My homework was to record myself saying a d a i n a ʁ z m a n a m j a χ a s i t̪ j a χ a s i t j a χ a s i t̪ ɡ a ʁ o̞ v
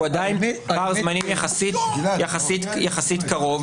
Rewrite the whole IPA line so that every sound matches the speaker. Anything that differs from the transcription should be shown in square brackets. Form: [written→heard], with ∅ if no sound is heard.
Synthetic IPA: a d a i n a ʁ z m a n [a→i] m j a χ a s i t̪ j a χ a s i t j a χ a s i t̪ [ɡ→k] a ʁ o̞ v

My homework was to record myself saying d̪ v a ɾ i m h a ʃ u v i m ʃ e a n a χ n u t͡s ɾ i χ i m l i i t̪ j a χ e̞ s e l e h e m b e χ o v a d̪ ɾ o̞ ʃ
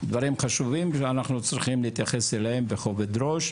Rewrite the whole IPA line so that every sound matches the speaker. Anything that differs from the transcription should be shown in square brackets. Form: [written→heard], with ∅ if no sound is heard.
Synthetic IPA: d̪ v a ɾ i m [h→χ] a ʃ u v i m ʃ e a n a χ n u t͡s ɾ i χ i m l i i t̪ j a χ e̞ s e l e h e m b e χ o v [a→e] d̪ ɾ o̞ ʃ

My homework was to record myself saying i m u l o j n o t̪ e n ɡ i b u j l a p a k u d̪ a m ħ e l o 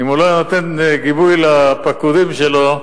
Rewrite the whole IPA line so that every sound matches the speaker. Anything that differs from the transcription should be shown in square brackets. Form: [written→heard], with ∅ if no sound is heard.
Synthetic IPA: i m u l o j n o t̪ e n ɡ i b u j l a p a k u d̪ [a→i] m [ħ→ʃ] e l o

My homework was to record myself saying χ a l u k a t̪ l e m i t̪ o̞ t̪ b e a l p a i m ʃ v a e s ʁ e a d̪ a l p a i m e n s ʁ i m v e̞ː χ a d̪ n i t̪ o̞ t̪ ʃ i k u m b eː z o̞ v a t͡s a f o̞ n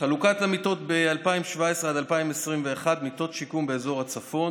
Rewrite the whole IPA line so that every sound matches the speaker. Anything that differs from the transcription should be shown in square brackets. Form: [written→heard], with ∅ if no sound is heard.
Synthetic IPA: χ a l u k a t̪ l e m i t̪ o̞ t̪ b e a l p a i m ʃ v a e s ʁ e a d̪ a l p a i m e [n→∅] s ʁ i m v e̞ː χ a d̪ [n→m] i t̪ o̞ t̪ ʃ i k u m b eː z o̞ [v→ʁ] a t͡s a f o̞ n

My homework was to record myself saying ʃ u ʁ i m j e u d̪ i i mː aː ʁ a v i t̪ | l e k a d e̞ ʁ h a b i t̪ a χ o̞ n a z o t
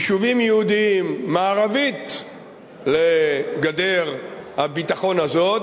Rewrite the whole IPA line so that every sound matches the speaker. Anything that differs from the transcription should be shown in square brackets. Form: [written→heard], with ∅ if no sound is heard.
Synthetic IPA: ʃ u [ʁ→v] i m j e u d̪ i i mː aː ʁ a v i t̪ | l e [k→ɡ] a d e̞ ʁ h a b i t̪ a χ o̞ n a z o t

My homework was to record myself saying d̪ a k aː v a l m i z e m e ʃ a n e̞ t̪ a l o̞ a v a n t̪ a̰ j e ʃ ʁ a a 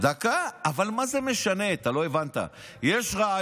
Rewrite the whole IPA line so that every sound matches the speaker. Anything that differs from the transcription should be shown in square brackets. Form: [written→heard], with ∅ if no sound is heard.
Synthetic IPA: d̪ a k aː v a l m [i→a] z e m e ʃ a n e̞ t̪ a l o̞ [a→e] v a n t̪ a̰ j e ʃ ʁ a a

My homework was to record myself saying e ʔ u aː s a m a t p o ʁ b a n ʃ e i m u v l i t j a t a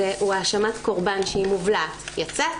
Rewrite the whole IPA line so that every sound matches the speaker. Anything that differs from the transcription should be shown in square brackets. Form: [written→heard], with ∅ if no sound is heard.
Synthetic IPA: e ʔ u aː [s→ʃ] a m a t [p→k] o ʁ b a n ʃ e i m u v l [i→a] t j a [t→t͡s] a

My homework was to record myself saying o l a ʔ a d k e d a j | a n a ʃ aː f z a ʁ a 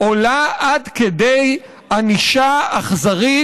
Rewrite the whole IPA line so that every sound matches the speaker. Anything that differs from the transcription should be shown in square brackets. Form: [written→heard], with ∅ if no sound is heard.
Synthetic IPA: o l a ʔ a d k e d [a→e] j | a n [a→i] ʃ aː [f→χ] z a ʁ [a→i]

